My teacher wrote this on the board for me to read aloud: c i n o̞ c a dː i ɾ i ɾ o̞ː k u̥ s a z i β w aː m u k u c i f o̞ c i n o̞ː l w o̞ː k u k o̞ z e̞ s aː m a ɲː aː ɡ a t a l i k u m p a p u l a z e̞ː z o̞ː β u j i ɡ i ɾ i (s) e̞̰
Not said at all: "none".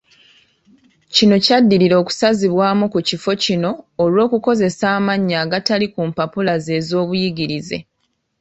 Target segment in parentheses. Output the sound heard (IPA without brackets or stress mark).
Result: z